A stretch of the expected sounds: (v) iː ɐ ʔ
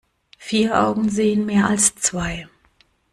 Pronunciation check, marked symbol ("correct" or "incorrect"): incorrect